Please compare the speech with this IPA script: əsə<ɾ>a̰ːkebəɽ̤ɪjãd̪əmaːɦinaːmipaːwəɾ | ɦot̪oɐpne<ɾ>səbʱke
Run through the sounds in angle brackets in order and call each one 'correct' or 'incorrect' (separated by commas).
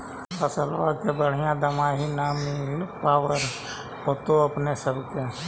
incorrect, incorrect